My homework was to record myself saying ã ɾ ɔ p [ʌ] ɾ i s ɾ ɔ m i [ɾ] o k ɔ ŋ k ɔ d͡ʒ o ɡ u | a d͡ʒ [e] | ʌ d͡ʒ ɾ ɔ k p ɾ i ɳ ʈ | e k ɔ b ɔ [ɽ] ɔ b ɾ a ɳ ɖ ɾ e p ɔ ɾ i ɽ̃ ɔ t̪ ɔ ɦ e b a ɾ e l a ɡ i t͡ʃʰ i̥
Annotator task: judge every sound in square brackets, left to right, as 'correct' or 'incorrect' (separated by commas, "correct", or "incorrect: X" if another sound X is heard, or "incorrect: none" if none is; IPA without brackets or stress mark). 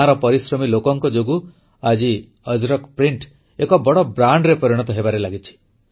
incorrect: ɔ, incorrect: l, incorrect: i, correct